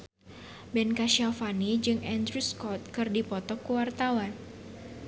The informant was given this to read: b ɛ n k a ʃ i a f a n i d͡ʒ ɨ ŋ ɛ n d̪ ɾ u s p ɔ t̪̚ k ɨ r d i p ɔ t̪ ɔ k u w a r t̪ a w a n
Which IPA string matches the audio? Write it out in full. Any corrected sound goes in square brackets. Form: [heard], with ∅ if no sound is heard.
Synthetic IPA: b ɛ n k a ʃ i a f a n i d͡ʒ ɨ ŋ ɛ n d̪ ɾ u s [k] ɔ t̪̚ k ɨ r d i p ɔ t̪ ɔ k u w a r t̪ a w a n